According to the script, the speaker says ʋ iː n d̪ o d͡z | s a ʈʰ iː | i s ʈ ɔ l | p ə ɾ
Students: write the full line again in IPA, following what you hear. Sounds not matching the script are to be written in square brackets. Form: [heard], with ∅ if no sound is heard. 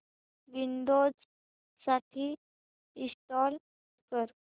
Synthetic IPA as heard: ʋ [i] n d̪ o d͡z | s a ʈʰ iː | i s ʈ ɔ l | [k] ə ɾ

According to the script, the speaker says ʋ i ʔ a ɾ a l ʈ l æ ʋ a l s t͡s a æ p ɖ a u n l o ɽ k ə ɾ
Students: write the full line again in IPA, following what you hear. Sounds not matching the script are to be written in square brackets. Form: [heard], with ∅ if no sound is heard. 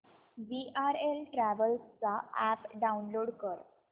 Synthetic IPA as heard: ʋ i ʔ a ɾ [e] l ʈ [ɾ] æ ʋ [ə] l s t͡s a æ p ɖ a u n l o ɽ k ə ɾ

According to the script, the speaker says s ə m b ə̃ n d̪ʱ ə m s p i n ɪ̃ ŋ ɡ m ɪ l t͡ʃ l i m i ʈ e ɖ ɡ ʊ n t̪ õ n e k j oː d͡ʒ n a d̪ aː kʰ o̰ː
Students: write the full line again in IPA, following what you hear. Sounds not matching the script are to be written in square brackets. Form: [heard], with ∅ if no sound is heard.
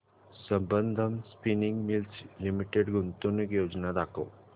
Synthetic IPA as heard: s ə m b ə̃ n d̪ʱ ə m s p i n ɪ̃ ŋ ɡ m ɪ l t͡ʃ l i m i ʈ e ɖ ɡ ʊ n t̪ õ n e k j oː d͡ʒ n a d̪ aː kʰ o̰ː

